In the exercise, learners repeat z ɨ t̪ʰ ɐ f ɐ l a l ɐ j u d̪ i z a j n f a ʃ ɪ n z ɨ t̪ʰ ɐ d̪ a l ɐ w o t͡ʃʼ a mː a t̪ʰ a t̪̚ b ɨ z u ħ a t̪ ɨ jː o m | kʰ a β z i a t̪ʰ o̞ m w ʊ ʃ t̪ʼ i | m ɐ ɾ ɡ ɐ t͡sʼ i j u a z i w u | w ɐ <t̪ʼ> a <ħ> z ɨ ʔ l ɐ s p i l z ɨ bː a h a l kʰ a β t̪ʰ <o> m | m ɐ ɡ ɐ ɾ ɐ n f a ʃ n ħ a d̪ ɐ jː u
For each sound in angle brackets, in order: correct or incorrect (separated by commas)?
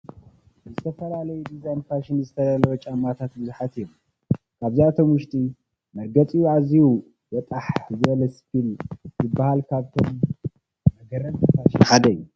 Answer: correct, correct, correct